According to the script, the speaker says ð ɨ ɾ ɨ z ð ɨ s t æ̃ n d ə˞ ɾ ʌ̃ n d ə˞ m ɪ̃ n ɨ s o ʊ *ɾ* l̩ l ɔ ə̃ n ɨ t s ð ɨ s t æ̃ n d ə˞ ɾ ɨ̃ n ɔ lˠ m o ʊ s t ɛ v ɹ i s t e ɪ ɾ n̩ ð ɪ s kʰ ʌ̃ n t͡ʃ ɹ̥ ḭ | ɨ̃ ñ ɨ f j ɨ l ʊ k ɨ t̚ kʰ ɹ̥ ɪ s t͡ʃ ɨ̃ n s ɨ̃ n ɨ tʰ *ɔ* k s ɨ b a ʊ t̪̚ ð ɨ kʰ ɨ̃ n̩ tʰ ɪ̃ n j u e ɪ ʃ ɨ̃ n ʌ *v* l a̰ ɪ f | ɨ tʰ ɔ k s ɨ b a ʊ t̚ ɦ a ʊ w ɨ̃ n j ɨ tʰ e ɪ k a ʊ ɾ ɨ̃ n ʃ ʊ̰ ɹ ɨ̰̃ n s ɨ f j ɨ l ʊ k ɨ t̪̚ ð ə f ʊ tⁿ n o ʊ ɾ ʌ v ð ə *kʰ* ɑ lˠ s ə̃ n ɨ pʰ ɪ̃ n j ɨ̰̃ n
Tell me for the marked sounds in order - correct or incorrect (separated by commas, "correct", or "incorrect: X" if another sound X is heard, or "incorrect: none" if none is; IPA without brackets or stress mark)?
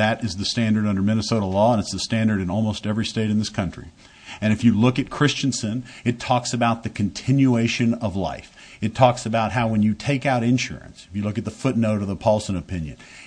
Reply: correct, correct, correct, incorrect: pʰ